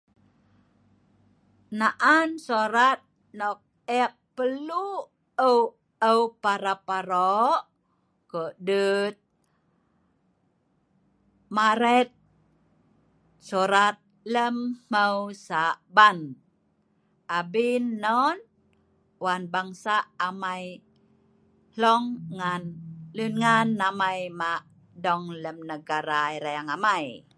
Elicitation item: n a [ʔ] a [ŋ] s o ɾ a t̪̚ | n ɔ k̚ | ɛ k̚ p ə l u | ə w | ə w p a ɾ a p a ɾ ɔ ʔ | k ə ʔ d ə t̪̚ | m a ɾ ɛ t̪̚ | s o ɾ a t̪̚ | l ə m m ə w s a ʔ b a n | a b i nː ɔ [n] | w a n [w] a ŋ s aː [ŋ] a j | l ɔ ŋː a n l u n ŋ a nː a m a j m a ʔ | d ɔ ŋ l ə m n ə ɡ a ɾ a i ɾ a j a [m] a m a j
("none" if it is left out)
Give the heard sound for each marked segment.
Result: ʔ, n, n, b, m, ŋ

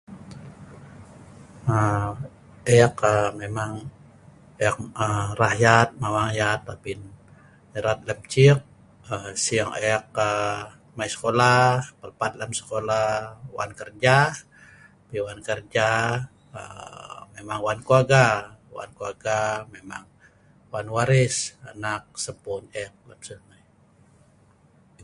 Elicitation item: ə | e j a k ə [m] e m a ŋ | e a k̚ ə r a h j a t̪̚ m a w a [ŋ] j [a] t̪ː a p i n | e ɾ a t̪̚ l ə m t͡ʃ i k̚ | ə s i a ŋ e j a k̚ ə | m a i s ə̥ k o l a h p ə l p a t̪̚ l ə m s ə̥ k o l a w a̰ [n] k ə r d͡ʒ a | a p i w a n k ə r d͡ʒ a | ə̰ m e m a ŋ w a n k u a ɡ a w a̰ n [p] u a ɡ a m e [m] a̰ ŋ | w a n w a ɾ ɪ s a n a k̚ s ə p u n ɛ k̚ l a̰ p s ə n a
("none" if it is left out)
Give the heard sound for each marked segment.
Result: m, ŋ, a, n, k, m

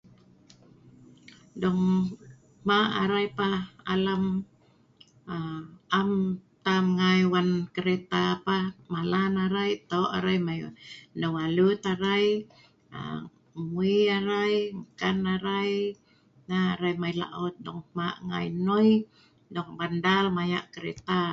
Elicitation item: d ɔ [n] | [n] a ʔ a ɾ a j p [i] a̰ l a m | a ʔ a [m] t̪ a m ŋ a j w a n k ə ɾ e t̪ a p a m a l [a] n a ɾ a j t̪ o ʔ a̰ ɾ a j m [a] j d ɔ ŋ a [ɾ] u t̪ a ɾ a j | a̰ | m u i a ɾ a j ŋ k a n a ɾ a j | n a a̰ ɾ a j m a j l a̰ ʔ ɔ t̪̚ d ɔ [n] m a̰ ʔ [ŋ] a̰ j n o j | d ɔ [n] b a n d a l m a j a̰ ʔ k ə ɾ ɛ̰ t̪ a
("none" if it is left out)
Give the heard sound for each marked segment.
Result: ŋ, m, a, m, a, a, l, ŋ, ŋ, ŋ

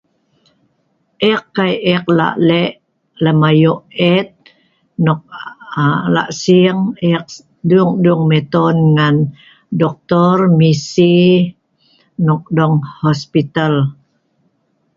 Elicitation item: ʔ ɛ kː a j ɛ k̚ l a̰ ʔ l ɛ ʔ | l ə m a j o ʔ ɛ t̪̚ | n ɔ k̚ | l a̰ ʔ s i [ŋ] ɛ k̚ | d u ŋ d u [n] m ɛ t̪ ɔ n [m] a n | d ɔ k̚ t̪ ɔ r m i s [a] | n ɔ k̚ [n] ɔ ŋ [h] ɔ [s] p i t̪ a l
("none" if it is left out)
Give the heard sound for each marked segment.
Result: ŋ, ŋ, ŋ, i, d, h, s

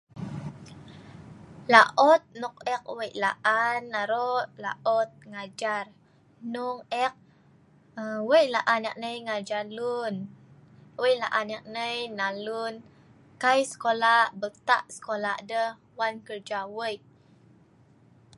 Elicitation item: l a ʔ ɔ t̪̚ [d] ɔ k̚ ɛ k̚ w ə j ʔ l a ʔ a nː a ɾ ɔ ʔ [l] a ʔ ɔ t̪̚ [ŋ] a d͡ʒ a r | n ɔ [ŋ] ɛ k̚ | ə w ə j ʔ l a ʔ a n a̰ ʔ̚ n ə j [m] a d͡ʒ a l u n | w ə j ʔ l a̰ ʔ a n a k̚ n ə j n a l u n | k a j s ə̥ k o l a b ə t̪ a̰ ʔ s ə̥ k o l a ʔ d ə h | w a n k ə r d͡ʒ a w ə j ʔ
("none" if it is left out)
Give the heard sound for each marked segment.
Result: n, l, ŋ, ŋ, ŋ

